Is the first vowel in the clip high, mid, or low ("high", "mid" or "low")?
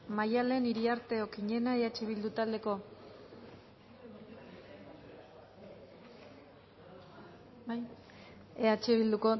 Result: low